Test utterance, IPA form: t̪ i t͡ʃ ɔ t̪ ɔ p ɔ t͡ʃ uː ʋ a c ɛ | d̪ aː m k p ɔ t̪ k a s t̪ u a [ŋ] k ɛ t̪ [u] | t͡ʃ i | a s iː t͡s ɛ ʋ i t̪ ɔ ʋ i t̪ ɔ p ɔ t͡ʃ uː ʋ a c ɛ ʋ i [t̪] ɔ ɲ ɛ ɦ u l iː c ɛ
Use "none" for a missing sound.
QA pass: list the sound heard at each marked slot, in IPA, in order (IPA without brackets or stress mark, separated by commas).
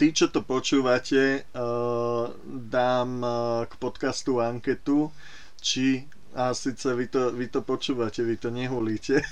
ŋ, u, t̪